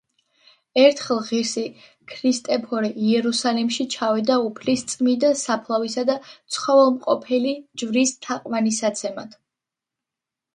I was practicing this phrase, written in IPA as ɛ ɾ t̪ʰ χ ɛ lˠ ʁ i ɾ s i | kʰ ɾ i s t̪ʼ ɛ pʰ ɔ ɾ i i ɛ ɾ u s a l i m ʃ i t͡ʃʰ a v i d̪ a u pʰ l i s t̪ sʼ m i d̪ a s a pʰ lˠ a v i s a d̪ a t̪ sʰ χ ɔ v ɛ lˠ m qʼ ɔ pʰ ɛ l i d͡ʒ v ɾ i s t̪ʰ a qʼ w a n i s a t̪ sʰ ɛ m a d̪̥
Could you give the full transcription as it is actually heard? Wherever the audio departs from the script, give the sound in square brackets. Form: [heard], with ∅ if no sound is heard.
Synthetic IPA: ɛ ɾ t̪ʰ χ ɛ lˠ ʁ i ɾ s i | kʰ ɾ i s t̪ʼ ɛ pʰ ɔ ɾ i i ɛ ɾ u s a l i m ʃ i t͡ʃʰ a v i d̪ a u pʰ l i s t̪ sʼ m i d̪ a s a pʰ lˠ a v i s a d̪ a t̪ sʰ χ ɔ v ɛ lˠ m qʼ ɔ pʰ ɛ l i d͡ʒ v ɾ i s t̪ʰ a qʼ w a n i s a t̪ sʰ ɛ m a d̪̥